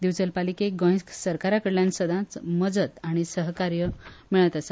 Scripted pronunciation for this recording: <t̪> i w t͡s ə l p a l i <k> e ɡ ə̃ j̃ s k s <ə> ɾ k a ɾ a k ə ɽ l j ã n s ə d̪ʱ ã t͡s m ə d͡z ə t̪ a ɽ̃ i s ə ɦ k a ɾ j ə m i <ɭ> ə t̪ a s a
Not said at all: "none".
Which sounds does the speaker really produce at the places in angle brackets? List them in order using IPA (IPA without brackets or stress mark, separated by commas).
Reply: d̪, k, ə, ɭ